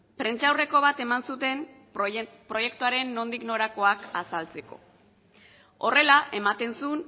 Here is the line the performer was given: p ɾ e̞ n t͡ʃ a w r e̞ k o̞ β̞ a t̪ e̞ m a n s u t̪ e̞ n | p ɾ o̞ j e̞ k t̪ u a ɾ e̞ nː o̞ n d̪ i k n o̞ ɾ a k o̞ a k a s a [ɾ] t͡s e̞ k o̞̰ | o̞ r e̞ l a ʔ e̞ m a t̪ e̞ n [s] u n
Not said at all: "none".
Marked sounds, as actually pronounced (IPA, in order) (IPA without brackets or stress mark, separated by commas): l, s